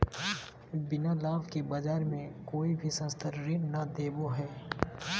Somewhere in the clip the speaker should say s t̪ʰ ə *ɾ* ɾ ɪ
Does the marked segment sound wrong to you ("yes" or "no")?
no